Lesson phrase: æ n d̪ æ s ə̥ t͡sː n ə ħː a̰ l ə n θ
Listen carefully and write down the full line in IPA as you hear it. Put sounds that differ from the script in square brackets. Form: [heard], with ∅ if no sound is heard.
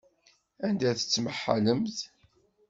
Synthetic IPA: æ n d̪ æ [θ] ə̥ t͡sː [m] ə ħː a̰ l ə [m] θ

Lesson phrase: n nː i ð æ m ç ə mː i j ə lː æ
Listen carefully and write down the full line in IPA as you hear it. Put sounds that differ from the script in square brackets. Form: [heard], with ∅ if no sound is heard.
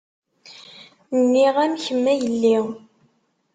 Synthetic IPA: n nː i [ʁ] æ m ç ə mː [æ] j ə lː [i]

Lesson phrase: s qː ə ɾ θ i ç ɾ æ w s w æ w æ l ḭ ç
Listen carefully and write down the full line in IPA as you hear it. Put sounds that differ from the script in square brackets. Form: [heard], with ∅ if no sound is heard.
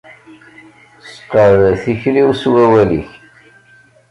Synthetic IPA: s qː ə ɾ θ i ç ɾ [i] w s w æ w æ l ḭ ç

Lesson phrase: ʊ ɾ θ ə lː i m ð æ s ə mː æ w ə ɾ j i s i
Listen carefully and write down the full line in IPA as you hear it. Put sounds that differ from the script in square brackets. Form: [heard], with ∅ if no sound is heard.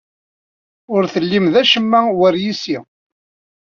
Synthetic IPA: ʊ ɾ θ ə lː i m ð æ [ʃ] ə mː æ w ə ɾ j i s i

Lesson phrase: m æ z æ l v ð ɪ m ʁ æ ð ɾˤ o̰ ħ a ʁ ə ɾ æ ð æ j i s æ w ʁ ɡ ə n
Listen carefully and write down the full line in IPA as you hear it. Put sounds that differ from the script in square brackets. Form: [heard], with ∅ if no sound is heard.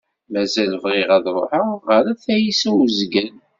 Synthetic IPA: m æ z æ l v [ʁ] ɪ [∅] ʁ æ ð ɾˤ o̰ ħ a ʁ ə ɾ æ [θ] æ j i s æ w [z] ɡ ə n

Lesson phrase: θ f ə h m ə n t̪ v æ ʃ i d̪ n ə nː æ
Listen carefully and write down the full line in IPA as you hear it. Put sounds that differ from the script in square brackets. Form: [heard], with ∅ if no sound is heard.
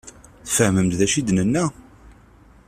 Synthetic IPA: θ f ə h m ə [m] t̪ [ð] æ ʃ i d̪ n ə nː æ

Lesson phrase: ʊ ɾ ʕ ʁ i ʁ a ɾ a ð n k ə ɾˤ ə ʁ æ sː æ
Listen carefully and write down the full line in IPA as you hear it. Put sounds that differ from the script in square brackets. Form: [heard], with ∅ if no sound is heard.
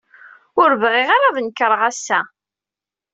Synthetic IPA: ʊ ɾ [v] ʁ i ʁ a ɾ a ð n k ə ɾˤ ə ʁ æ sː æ

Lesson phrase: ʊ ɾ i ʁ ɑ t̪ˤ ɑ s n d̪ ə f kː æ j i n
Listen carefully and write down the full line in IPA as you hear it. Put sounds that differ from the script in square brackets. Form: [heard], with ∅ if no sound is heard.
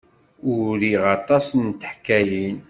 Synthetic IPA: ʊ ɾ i ʁ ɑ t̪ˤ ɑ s n [t̪] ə [ħ] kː æ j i n

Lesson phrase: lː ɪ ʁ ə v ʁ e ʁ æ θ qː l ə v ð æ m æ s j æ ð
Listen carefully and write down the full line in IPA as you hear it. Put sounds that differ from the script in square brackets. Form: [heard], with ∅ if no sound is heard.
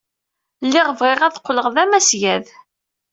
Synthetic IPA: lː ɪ ʁ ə v ʁ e ʁ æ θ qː l ə [ʁ] ð æ m æ s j æ ð

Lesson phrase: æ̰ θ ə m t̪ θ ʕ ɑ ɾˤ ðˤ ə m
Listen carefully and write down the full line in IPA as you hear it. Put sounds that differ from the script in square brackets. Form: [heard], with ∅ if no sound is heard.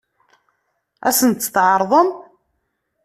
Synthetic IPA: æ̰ [s] ə [n] t̪ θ ʕ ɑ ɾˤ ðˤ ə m

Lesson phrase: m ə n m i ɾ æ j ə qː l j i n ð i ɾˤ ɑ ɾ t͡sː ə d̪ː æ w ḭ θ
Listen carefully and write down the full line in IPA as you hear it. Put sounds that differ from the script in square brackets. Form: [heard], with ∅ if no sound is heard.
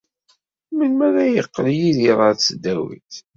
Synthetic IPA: m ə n m [æ] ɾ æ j ə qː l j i [∅] ð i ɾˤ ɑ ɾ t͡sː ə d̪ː æ w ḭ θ

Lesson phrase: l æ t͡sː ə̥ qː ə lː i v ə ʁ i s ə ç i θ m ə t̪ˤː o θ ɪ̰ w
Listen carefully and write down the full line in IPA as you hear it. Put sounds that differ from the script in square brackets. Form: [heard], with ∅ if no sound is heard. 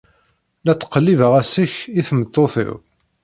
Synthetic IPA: l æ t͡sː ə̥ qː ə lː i v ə ʁ [æ] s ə ç i θ m ə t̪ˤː o θ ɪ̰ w

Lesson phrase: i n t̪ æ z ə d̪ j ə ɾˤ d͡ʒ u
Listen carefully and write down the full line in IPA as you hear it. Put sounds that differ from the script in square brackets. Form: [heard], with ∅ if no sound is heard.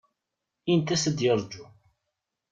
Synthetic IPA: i n t̪ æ [s] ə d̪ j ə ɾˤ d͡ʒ u

